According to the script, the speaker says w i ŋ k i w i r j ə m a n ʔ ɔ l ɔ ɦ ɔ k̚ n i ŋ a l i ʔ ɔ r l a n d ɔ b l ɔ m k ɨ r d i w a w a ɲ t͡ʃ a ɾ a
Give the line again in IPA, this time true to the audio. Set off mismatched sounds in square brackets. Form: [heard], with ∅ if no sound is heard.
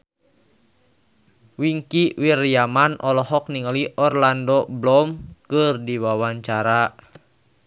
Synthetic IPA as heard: w i ŋ k i w i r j [a] m a n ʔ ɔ l ɔ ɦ ɔ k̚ n i ŋ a l i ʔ ɔ r l a n d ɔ b l ɔ m k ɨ r d i w a w a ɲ t͡ʃ a ɾ a